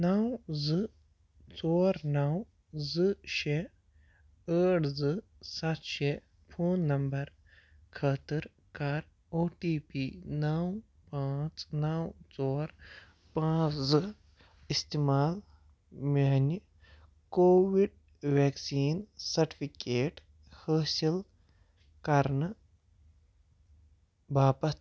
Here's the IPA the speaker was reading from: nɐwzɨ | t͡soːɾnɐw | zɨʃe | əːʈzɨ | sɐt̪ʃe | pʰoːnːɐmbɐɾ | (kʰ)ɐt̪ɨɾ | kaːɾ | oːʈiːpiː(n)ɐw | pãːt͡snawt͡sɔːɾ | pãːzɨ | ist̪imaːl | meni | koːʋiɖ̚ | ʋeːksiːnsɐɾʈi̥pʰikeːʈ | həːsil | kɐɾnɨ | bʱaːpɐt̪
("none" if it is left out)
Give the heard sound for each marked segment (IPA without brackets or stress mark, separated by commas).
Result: kʰ, n